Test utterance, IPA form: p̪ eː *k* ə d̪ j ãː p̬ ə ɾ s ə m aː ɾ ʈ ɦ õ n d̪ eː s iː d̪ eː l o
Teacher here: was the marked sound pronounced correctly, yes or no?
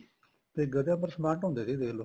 no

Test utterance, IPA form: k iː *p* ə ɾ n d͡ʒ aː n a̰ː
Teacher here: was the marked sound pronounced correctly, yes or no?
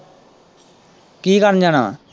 no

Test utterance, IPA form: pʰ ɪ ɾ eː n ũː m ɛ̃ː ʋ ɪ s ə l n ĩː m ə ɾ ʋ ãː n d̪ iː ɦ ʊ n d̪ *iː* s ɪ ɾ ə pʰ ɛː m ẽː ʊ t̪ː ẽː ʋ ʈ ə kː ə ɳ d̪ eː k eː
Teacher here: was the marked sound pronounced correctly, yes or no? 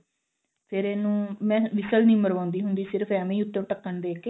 yes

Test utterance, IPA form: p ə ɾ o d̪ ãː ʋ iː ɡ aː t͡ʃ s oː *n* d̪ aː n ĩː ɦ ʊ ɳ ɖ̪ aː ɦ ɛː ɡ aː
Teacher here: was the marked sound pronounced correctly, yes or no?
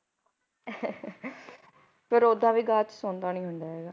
yes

